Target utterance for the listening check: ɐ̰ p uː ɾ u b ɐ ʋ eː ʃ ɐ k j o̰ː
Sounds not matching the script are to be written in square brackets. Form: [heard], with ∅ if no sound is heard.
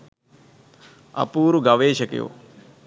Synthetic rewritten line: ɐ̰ p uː ɾ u [ɡ] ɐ ʋ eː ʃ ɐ k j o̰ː

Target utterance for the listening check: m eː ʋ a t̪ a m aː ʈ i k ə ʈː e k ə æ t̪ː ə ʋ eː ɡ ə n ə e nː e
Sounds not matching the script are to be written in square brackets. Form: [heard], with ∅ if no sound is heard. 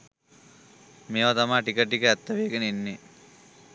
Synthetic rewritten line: m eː ʋ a t̪ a m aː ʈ i k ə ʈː [i] k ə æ t̪ː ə ʋ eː ɡ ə n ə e nː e

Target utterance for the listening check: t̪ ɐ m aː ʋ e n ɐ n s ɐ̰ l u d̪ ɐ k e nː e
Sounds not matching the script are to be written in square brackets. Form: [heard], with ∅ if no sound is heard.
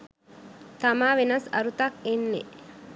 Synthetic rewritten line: t̪ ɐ m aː ʋ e n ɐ [∅] s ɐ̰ [ɾ] u [t̪] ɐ k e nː e

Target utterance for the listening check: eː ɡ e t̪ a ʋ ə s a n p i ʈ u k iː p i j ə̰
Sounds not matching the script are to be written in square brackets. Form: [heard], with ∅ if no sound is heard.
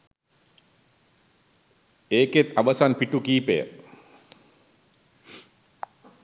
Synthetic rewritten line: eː [k] e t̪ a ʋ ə s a n p i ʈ u k iː p [e] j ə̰

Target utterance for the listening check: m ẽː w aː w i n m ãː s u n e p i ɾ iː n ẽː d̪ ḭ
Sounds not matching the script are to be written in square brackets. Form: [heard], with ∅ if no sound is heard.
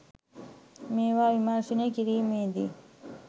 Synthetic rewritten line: m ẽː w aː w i [∅] m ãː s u n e [k] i ɾ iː [m] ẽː d̪ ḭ

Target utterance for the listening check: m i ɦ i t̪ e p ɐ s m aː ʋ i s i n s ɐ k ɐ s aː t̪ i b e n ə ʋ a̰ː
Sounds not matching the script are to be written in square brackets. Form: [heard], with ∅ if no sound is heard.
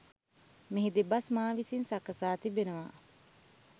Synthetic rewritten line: m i ɦ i [d̪] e [b] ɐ s m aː ʋ i s i n s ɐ k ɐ s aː t̪ i b e n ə ʋ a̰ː

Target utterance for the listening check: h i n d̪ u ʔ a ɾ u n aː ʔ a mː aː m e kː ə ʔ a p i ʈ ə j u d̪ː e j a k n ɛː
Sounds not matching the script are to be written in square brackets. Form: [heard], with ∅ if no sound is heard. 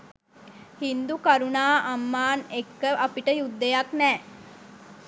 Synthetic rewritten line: h i n d̪ u [k] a ɾ u n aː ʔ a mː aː [n] e kː ə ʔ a p i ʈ ə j u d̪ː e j a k n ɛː

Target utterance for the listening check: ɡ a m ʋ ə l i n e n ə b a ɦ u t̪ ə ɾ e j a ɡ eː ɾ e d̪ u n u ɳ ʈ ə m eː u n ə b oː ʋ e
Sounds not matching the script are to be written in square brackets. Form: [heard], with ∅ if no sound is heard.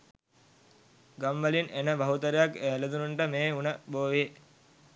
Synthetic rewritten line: ɡ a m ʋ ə l i n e n ə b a ɦ u t̪ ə ɾ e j a [k] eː [l] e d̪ u n u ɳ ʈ ə m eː u n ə b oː ʋ e

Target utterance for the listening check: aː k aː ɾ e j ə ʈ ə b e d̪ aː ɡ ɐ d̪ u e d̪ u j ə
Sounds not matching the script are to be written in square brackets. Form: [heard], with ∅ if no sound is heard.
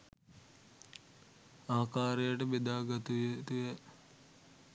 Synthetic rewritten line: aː k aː ɾ e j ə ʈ ə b e d̪ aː ɡ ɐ [t̪] u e [t̪] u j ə

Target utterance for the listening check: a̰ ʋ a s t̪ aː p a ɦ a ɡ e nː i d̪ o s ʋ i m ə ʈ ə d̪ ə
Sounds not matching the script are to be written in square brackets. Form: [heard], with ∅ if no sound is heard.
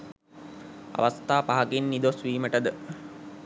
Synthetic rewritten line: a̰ ʋ a s t̪ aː p a ɦ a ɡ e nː i d̪ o s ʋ [iː] m ə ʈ ə d̪ ə

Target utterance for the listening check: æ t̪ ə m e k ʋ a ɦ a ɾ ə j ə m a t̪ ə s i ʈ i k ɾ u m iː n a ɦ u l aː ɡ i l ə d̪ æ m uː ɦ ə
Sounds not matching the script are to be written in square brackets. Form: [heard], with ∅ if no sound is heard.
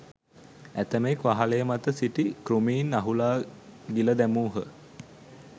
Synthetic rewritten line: æ t̪ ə m e k ʋ a ɦ a [l] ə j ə m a t̪ ə s i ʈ i k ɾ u m iː n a ɦ u l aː ɡ i l ə d̪ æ m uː ɦ ə

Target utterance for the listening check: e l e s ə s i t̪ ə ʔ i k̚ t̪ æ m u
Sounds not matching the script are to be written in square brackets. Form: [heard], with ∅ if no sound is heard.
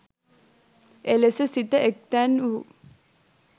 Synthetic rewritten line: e l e s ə s i t̪ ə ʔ [e] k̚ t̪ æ [n] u

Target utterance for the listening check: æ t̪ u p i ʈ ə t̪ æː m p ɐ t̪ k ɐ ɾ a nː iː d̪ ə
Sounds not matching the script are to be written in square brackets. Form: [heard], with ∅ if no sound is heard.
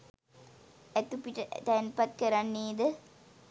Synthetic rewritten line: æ t̪ u p i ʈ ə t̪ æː [n] p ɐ t̪ k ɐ ɾ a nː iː d̪ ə

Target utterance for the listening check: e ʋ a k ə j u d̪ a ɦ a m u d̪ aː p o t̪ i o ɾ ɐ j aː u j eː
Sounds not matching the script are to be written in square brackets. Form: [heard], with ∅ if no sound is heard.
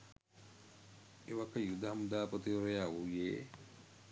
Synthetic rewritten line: e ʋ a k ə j u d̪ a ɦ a m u d̪ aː p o t̪ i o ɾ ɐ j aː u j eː

